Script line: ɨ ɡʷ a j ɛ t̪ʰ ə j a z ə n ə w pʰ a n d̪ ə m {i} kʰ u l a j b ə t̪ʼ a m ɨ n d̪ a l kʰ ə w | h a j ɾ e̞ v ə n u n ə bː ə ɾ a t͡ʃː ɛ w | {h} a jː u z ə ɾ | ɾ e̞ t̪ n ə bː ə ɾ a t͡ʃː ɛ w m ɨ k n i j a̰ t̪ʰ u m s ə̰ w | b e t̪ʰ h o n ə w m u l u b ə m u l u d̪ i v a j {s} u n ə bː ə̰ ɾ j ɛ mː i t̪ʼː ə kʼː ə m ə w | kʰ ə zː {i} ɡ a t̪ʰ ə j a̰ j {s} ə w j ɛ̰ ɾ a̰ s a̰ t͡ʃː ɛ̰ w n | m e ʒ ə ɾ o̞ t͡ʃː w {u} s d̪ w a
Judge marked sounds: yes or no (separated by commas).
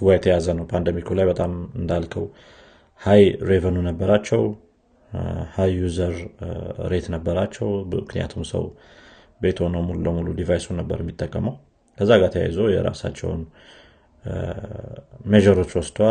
yes, yes, yes, no, no, no